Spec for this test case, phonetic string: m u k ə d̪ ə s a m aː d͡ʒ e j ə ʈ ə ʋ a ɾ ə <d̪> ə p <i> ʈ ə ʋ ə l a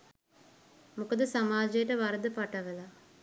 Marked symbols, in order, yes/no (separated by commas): yes, no